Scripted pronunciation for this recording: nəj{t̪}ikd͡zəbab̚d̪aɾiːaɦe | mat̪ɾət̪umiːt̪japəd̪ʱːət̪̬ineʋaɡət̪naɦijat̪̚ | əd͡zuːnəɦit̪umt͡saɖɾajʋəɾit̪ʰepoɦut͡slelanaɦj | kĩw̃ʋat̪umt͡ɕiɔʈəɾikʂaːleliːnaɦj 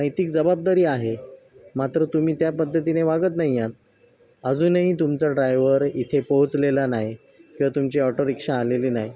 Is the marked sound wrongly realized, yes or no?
no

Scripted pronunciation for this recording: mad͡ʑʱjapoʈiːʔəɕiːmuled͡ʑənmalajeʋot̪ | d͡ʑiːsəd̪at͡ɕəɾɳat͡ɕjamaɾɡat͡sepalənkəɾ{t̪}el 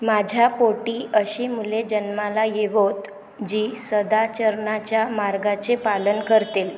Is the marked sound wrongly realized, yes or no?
no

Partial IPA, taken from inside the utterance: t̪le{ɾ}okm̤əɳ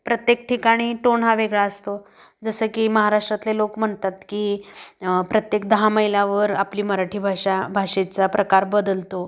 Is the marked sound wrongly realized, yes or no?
yes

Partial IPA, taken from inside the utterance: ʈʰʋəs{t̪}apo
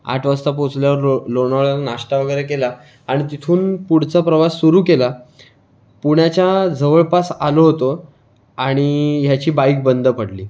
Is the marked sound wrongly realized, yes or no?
no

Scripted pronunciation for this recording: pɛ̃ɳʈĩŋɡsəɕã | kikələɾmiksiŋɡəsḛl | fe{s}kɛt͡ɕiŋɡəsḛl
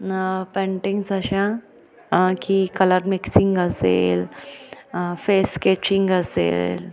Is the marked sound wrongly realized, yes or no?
no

